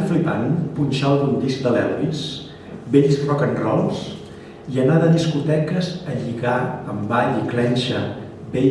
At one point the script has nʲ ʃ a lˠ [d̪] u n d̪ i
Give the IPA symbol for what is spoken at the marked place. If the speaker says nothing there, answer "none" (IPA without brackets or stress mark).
d̪